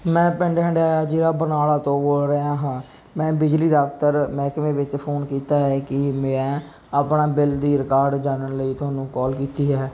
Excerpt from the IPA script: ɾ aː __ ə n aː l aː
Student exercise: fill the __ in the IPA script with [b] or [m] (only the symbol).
b